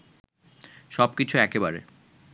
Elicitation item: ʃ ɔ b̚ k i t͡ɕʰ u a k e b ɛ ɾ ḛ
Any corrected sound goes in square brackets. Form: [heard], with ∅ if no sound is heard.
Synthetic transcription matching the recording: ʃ ɔ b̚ k i t͡ɕʰ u [ɛ] k e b [a] ɾ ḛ